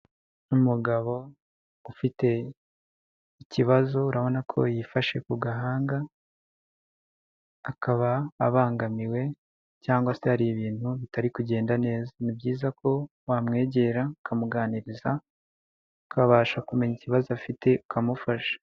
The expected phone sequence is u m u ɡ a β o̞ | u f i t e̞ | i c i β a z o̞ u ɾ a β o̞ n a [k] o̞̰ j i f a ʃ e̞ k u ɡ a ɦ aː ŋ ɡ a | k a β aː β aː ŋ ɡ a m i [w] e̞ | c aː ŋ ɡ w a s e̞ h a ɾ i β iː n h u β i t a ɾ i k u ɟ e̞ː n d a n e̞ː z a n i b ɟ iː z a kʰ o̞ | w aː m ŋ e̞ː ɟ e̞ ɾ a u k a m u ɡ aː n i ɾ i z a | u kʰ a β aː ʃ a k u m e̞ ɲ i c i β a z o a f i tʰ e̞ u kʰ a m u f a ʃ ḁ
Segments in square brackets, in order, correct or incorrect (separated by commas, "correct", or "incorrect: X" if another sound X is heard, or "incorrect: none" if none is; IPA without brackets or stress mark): incorrect: kʰ, correct